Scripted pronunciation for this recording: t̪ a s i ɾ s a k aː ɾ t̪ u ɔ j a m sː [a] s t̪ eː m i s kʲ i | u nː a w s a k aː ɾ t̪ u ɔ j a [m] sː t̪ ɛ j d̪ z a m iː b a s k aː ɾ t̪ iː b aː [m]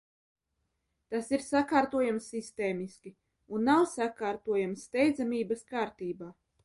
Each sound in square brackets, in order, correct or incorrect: incorrect: i, correct, incorrect: none

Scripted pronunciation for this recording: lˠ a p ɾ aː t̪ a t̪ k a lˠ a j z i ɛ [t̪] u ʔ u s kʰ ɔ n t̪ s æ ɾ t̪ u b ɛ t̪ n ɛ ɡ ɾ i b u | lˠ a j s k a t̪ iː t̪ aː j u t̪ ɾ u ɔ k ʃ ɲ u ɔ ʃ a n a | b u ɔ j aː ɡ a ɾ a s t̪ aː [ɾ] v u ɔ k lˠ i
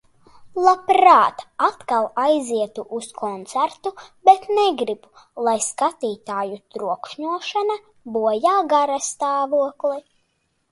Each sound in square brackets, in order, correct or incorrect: correct, incorrect: none

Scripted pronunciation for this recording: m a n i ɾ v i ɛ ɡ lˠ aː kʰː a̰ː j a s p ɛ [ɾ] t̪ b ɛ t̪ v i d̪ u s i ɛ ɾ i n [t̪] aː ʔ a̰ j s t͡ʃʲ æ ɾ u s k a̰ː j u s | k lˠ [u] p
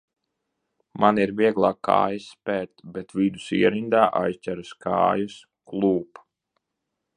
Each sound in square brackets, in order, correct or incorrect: correct, incorrect: d̪, incorrect: uː

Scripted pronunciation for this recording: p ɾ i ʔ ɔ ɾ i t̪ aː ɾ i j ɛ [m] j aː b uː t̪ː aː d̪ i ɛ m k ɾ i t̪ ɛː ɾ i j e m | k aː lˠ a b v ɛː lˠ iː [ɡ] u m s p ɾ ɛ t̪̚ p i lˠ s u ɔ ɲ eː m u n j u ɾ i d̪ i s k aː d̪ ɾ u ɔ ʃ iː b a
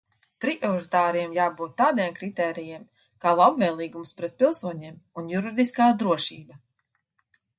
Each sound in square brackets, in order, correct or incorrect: correct, correct

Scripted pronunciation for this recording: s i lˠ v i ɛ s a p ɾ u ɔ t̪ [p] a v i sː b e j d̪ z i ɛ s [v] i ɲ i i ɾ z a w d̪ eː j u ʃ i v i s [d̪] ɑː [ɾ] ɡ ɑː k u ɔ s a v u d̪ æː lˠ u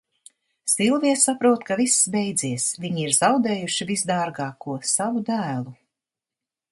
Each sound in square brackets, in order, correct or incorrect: incorrect: k, correct, correct, correct

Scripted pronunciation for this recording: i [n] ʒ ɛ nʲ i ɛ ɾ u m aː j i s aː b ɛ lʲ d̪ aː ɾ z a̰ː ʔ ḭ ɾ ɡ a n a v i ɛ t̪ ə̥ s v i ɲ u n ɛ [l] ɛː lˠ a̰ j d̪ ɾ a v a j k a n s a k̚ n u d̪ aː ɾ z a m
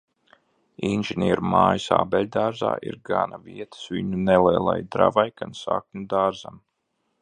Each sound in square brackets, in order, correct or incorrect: correct, correct

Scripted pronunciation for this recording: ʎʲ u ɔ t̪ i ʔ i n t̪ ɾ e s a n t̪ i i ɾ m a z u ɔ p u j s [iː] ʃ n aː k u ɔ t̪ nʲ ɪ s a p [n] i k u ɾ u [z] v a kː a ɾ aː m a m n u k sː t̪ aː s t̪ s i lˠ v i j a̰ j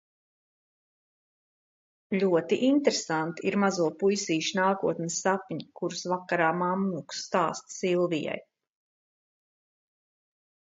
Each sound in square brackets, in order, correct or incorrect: correct, incorrect: ɲ, incorrect: s

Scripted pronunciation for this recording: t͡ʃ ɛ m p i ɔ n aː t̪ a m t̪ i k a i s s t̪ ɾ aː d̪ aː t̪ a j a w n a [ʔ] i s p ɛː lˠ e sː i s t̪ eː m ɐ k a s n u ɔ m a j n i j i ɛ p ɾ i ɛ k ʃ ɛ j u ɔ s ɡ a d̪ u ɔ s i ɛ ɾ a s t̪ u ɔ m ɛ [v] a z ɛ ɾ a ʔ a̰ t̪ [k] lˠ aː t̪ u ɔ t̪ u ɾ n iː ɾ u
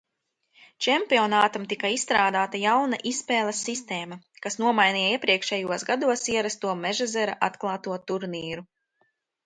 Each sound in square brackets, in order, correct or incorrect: correct, incorrect: ʒ, correct

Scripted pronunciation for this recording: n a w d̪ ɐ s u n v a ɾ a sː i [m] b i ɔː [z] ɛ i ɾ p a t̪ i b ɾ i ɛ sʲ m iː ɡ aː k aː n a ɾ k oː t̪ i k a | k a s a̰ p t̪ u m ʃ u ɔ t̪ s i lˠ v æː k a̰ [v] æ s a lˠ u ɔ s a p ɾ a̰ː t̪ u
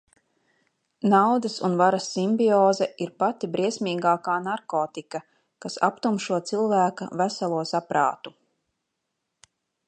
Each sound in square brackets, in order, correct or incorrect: correct, correct, correct

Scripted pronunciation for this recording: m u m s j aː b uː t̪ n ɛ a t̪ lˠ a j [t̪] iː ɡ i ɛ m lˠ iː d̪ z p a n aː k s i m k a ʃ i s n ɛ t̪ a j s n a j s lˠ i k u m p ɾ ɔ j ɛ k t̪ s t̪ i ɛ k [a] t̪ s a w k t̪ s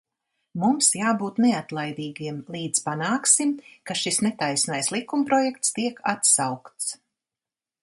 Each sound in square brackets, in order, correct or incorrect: incorrect: d̪, correct

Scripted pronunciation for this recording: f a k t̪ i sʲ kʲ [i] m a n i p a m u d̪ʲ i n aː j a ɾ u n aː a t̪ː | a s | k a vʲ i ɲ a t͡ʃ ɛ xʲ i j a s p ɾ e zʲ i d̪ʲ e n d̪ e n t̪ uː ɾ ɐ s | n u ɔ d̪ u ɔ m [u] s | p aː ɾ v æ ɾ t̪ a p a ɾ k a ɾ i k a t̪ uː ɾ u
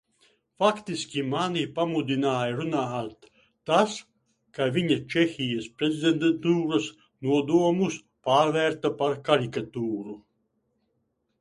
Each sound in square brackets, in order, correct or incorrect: correct, correct

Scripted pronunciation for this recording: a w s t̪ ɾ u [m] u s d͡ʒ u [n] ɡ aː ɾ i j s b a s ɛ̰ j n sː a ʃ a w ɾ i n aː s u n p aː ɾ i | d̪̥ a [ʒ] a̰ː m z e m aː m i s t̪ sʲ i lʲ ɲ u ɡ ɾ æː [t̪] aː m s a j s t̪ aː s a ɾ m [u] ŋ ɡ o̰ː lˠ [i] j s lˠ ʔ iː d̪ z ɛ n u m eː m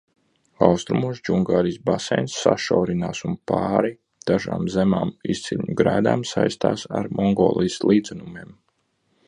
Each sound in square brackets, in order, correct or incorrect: correct, incorrect: ŋ, correct, incorrect: d̪, incorrect: ɔ, correct

